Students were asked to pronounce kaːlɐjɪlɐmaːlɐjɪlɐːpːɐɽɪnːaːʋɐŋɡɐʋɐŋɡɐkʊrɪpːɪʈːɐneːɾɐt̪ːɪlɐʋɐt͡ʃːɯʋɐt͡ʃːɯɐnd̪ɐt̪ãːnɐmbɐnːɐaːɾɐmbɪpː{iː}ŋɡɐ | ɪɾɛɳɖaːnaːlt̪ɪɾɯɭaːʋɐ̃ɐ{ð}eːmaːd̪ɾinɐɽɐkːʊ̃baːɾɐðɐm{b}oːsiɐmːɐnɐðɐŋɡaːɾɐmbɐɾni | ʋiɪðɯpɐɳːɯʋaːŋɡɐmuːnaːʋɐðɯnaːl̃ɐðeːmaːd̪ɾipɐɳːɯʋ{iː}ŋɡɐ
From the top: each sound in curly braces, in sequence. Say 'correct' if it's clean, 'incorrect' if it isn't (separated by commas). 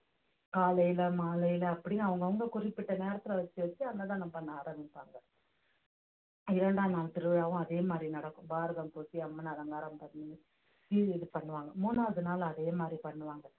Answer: incorrect, correct, incorrect, incorrect